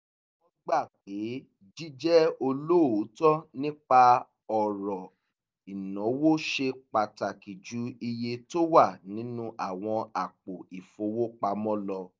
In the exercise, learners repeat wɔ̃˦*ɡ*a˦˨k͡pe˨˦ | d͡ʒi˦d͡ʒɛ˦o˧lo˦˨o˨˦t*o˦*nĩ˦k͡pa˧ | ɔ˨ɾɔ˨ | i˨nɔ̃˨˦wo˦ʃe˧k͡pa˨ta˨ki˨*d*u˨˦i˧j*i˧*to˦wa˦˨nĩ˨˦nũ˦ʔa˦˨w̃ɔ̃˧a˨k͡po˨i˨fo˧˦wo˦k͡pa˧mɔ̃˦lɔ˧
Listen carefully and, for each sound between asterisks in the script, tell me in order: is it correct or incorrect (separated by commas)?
incorrect, incorrect, incorrect, incorrect